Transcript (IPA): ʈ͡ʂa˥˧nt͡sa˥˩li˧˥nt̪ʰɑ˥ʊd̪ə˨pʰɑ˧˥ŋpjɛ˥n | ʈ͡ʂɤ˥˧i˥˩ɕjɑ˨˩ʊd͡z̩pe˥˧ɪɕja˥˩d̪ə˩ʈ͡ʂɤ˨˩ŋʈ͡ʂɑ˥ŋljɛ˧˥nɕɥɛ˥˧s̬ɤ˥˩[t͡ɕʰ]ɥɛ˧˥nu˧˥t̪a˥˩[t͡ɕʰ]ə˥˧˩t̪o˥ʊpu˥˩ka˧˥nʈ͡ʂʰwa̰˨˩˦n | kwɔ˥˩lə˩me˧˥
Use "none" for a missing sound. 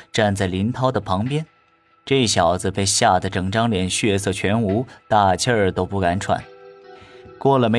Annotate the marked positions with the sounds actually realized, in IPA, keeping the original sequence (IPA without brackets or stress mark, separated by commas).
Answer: t͡ɕʰ, t͡ɕʰ